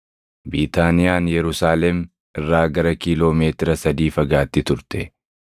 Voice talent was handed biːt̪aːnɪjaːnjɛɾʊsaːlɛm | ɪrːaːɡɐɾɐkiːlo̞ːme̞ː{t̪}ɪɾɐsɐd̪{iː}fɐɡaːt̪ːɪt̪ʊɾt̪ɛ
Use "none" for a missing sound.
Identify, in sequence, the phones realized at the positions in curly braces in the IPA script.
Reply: t̪, iː

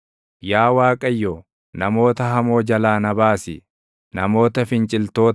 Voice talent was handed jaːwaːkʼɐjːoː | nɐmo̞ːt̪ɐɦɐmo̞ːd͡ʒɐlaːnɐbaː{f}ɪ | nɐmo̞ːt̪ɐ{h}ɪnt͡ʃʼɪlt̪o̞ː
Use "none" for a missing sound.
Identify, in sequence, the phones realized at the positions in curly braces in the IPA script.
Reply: s, f

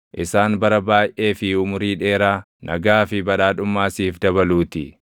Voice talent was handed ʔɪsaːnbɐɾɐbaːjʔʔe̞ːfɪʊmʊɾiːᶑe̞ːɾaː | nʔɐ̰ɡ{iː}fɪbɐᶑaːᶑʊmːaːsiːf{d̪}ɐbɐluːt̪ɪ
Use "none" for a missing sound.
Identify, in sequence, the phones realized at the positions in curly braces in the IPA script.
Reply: aː, d̪

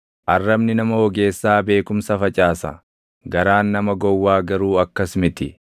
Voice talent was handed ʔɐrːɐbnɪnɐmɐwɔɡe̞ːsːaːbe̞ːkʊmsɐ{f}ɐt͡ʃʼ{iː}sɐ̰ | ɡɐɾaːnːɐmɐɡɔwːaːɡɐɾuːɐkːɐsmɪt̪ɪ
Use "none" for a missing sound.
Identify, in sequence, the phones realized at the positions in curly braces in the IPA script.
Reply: f, aː

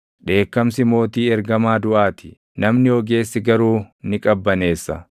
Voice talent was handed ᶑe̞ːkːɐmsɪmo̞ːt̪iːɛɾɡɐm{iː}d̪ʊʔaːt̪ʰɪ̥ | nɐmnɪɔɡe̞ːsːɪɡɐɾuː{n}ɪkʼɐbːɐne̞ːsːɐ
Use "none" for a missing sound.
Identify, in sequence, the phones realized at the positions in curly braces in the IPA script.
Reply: aː, n

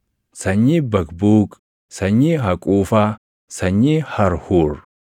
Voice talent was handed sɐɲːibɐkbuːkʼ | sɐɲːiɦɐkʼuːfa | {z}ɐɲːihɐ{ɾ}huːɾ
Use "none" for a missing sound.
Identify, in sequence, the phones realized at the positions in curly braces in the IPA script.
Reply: s, ɾ

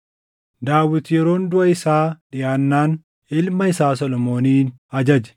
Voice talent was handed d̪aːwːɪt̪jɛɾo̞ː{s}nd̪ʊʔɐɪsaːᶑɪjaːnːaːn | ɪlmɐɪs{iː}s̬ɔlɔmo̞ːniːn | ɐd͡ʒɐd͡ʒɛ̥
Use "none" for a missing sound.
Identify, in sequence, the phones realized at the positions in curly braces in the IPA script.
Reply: none, aː

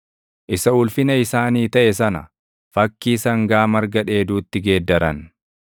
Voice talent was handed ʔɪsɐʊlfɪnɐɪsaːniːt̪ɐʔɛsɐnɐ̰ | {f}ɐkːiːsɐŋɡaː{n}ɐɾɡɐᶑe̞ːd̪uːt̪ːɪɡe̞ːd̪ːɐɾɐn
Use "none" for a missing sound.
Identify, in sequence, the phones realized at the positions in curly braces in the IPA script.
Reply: f, m

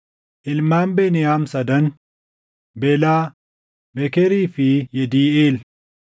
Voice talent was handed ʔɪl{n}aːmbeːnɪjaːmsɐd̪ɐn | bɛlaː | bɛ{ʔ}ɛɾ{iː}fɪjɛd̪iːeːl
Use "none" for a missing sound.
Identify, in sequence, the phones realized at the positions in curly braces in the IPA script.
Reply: m, k, iː

